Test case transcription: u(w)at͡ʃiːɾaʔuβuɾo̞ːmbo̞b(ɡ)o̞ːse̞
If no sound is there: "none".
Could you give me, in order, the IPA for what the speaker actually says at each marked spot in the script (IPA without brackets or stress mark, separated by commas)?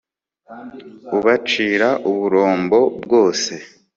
β, ɡ